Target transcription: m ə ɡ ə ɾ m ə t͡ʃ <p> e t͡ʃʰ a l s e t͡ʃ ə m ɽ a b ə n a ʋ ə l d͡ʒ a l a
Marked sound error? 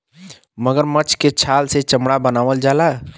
yes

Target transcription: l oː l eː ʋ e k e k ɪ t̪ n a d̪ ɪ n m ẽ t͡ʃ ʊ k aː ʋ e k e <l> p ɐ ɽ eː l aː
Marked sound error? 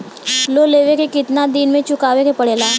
yes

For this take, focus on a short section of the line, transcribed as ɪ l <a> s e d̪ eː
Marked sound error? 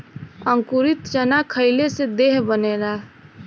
yes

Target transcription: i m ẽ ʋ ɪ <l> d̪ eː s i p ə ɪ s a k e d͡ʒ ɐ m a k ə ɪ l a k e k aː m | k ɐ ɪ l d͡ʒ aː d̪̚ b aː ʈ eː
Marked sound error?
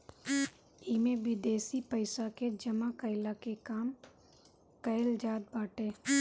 yes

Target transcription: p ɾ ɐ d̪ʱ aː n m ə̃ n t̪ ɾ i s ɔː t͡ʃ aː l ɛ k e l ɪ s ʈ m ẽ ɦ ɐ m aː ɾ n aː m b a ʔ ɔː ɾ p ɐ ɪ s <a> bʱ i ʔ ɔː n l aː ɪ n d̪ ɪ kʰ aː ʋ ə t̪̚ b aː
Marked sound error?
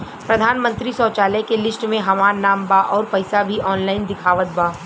no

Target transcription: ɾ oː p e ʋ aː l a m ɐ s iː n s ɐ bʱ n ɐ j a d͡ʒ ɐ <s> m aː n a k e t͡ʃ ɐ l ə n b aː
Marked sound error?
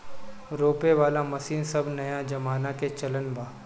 yes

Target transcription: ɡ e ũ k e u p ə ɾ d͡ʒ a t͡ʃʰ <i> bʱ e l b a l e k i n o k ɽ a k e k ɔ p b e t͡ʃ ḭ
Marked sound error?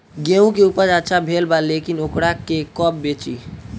yes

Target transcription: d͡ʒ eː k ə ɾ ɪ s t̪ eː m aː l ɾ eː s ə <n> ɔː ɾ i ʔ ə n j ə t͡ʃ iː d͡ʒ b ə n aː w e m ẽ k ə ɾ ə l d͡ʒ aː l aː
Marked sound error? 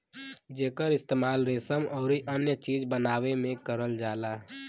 yes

